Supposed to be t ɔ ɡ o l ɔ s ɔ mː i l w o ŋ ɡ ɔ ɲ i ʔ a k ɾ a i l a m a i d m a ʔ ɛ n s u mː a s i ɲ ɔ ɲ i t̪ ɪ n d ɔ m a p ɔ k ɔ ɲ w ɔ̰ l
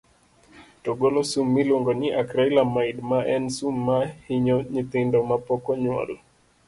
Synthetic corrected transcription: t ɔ ɡ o l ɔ s u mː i l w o ŋ ɡ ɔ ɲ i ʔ a k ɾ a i l a m a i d m a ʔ ɛ n s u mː a h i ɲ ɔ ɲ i t̪ ɪ n d ɔ m a p ɔ k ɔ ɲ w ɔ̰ l

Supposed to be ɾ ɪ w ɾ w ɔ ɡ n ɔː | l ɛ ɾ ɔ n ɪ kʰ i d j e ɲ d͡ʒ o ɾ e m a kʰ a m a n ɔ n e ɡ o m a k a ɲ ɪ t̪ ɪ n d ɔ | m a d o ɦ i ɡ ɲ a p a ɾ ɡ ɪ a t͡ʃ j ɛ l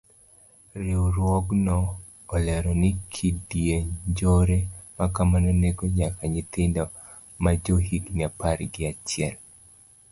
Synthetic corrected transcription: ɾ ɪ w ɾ w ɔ ɡ n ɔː | l ɛ ɾ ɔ n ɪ kʰ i d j e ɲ d͡ʒ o ɾ e m a k a m a n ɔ n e ɡ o ɲ a k a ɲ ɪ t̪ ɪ n d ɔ | m a d͡ʒ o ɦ i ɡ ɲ a p a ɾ ɡ ɪ a t͡ʃ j ɛ l

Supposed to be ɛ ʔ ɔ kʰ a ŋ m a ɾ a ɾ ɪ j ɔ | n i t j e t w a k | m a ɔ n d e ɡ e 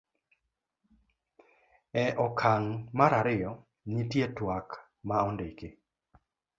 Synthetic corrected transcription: ɛ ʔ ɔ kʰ a ŋ m a ɾ a ɾ ɪ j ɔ | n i t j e t w a k | m a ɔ n d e k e

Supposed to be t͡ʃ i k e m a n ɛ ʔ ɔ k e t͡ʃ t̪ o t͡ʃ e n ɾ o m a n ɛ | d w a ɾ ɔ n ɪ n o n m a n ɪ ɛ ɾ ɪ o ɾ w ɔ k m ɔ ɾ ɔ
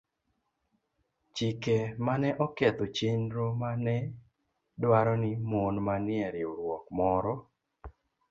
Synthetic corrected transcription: t͡ʃ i k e m a n ɛ ʔ ɔ k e t̪ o t͡ʃ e n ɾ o m a n ɛ | d w a ɾ ɔ n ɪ m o n m a n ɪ ɛ ɾ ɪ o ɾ w ɔ k m ɔ ɾ ɔ

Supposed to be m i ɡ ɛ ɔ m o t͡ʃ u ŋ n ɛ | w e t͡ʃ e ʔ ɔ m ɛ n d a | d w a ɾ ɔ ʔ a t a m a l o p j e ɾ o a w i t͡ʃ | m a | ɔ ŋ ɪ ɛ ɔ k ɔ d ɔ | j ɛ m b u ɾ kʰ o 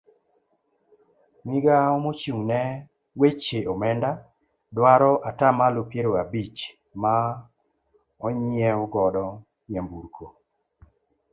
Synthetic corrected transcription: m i ɡ a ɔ m o t͡ʃ u ŋ n ɛ | w e t͡ʃ e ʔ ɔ m ɛ n d a | d w a ɾ ɔ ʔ a t a m a l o p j e ɾ o a b i t͡ʃ | m a | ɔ ɲ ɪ ɛ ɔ ɡ ɔ d ɔ | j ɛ m b u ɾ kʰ o

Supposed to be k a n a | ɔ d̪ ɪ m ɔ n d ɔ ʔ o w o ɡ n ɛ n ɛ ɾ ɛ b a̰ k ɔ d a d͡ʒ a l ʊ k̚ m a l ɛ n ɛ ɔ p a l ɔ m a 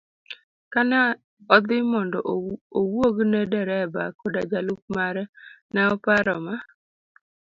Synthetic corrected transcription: k a n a | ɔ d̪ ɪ m ɔ n d ɔ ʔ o w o ɡ n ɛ d ɛ ɾ ɛ b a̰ k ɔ d a d͡ʒ a l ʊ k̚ m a ɾ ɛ n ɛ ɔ p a ɾ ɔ m a

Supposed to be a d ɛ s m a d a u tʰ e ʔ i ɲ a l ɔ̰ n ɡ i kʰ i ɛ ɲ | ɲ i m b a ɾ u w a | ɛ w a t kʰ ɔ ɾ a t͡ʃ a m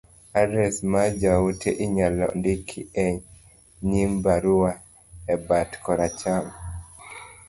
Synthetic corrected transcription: a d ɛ s m a d͡ʒ a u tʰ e ʔ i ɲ a l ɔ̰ n d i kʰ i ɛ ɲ | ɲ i m b a ɾ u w a | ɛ b a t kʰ ɔ ɾ a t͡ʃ a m

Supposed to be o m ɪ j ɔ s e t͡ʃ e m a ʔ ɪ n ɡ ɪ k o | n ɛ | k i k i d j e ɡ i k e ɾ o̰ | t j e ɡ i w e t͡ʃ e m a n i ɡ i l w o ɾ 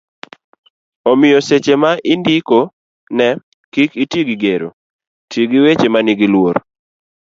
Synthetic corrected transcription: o m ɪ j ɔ s e t͡ʃ e m a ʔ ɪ n d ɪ k o | n ɛ | k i k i t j e ɡ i ɡ e ɾ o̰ | t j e ɡ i w e t͡ʃ e m a n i ɡ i l w o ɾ

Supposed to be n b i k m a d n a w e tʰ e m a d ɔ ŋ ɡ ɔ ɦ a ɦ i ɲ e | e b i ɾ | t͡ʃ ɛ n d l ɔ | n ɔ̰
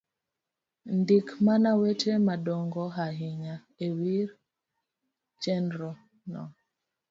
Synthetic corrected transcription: n d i k m a n a w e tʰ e m a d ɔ ŋ ɡ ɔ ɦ a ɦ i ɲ a | e w i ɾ | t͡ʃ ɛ n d ɾ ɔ | n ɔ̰

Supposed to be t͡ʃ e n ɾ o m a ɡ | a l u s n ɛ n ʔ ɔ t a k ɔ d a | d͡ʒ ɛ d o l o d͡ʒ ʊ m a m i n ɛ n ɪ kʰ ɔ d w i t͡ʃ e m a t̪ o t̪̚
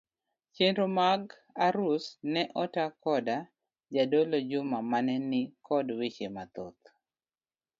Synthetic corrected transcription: t͡ʃ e n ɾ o m a ɡ | a ɾ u s n ɛ ʔ ɔ t a k ɔ d a | d͡ʒ a d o l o d͡ʒ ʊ m a m a n ɛ n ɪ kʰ ɔ d w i t͡ʃ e m a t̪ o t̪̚

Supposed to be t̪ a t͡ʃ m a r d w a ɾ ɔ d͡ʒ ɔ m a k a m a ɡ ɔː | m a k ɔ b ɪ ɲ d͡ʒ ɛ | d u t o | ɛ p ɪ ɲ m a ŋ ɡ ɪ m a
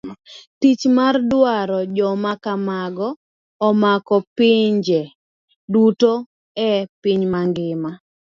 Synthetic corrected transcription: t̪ i t͡ʃ m a r d w a ɾ ɔ d͡ʒ ɔ m a k a m a ɡ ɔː | m a k ɔ p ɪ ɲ d͡ʒ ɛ | d u t o | ɛ p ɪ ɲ m a ŋ ɡ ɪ m a

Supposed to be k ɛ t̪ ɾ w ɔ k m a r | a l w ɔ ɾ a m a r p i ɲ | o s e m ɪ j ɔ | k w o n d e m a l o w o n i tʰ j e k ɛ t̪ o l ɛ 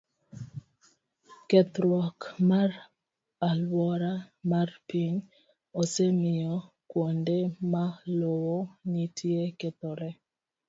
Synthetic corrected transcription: k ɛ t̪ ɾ w ɔ k m a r | a l w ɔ ɾ a m a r p i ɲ | o s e m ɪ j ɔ | k w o n d e m a l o w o n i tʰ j e k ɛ t̪ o ɾ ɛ

